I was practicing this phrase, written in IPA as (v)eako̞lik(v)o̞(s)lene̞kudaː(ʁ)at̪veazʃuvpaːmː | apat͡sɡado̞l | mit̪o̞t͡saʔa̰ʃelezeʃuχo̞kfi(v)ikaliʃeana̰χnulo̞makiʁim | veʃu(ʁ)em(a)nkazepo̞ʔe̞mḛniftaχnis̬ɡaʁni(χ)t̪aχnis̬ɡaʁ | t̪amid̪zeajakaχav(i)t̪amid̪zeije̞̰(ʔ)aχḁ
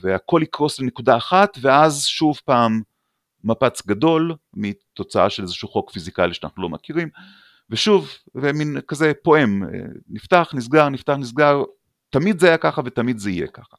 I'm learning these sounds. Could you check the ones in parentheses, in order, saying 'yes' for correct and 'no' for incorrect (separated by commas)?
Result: yes, no, yes, no, no, no, no, no, no, no